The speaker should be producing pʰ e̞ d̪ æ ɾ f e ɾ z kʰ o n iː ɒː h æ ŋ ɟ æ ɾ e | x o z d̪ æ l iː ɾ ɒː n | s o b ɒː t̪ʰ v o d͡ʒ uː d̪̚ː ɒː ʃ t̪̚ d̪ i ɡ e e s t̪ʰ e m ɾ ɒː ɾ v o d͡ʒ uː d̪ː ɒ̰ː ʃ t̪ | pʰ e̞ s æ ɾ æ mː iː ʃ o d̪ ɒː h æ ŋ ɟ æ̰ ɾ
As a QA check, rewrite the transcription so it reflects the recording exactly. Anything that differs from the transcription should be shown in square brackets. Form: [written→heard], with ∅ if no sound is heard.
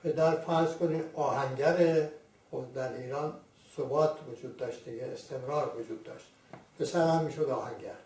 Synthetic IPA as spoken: pʰ e̞ d̪ æ ɾ f [e→æ] ɾ z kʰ o n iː ɒː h æ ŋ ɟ æ ɾ e | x o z d̪ æ [l→ɾ] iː ɾ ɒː n | s o b ɒː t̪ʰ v o d͡ʒ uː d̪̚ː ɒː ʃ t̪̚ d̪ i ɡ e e s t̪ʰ e m ɾ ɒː ɾ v o d͡ʒ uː d̪ː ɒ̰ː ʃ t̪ | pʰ e̞ s æ ɾ æ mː iː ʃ o d̪ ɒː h æ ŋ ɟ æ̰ ɾ